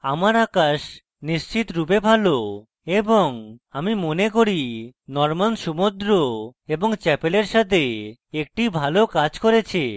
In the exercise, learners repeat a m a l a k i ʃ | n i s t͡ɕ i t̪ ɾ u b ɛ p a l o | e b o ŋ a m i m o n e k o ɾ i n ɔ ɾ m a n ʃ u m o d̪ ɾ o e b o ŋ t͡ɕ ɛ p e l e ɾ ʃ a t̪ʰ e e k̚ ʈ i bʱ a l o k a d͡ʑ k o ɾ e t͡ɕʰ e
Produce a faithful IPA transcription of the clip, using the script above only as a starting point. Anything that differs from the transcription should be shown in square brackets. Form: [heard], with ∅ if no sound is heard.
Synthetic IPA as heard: a m a [ɾ] a k [a] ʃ | n i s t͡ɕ i t̪ ɾ u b [e] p a l o | e b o ŋ a m i m o n e k o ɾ i n ɔ ɾ m a n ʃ u m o d̪ ɾ o e b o ŋ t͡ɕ ɛ p e l e ɾ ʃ a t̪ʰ e e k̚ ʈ i bʱ a l o k a d͡ʑ k o ɾ e t͡ɕʰ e